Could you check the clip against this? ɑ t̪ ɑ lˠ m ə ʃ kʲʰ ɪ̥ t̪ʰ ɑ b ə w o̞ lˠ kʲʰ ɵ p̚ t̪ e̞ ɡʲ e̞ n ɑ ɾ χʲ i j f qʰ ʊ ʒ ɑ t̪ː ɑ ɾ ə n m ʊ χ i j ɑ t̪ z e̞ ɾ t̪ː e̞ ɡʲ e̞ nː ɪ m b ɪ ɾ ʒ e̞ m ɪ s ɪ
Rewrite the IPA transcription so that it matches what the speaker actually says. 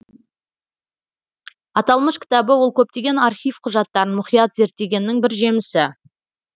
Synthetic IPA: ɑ t̪ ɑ lˠ m ə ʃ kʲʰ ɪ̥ t̪ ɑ b ə w o̞ lˠ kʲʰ ɵ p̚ t̪ e̞ ɡʲ e̞ n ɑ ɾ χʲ i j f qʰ ʊ ʒ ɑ t̪ː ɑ ɾ ə n m ʊ χ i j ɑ t̪ z e̞ ɾ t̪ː e̞ ɡʲ e̞ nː ɪ ŋ b ɪ ɾ ʒ e̞ m ɪ s ɪ